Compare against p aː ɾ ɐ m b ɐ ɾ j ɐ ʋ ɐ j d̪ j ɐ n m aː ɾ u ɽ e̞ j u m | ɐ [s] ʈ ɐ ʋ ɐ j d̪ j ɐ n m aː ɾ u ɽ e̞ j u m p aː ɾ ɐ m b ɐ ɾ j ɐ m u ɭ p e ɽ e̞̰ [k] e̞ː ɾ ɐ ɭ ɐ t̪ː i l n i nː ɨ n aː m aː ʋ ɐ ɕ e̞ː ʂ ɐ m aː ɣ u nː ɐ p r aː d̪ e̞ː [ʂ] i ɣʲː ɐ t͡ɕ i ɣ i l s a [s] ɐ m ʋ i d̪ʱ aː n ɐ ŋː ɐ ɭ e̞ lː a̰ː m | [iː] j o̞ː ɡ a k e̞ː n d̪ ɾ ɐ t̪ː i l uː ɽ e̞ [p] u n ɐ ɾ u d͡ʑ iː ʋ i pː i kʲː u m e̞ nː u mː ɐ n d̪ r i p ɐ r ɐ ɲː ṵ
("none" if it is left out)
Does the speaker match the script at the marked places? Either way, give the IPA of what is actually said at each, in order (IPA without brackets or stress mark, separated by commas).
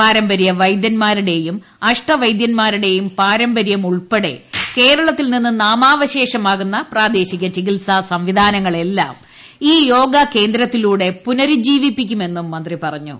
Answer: ʂ, k, ɕ, s, iː, p